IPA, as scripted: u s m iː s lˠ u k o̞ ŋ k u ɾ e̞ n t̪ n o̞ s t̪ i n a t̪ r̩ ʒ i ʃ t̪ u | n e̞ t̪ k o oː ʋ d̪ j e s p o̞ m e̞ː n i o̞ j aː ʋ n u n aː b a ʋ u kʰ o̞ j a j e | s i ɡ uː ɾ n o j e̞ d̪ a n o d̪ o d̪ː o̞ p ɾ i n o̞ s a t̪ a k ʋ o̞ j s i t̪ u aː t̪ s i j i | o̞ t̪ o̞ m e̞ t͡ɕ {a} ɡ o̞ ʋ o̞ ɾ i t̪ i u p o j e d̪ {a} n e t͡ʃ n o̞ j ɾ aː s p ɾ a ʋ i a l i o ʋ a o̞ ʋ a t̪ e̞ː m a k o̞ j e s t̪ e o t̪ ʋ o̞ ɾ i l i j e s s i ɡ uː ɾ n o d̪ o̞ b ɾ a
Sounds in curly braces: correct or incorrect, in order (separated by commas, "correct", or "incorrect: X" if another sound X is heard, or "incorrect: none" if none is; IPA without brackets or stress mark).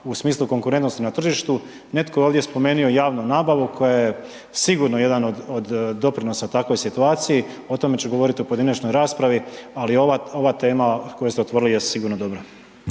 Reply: incorrect: e, incorrect: i